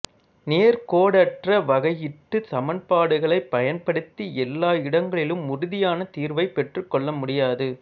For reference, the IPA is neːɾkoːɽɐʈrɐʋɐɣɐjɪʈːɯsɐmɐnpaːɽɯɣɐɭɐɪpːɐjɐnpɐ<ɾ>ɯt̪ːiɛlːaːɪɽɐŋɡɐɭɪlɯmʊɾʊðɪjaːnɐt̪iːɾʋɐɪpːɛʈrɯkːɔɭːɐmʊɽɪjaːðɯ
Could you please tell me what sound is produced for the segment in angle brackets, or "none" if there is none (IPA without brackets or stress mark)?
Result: ɽ